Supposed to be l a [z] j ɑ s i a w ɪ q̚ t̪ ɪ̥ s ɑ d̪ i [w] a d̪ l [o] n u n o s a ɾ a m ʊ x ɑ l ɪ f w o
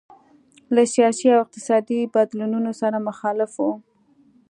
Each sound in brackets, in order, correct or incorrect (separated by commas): incorrect, incorrect, incorrect